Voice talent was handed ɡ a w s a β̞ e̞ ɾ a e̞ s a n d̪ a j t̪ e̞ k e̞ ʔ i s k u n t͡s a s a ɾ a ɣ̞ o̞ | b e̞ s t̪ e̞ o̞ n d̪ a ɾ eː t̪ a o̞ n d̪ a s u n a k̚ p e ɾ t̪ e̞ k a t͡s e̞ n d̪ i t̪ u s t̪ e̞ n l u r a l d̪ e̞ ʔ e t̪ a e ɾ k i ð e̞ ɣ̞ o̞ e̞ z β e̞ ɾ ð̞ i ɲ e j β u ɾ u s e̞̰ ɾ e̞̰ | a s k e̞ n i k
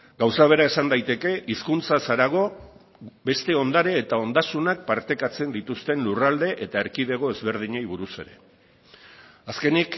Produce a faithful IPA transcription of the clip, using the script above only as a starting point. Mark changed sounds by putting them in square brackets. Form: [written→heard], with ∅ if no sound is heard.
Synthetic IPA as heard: ɡ a w s a β̞ e̞ ɾ a e̞ s a n d̪ a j t̪ e̞ k e̞ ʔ i s k u n t͡s a s a ɾ a ɣ̞ o̞ | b e̞ s t̪ e̞ o̞ n d̪ a ɾ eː t̪ a o̞ n d̪ a s u n a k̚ p [e→a] ɾ t̪ e̞ k a t͡s e̞ n d̪ i t̪ u s t̪ e̞ n l u r a l d̪ e̞ ʔ e t̪ a e ɾ k i ð e̞ ɣ̞ o̞ e̞ z β e̞ ɾ ð̞ i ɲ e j β u ɾ u s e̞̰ ɾ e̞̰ | a s k e̞ n i k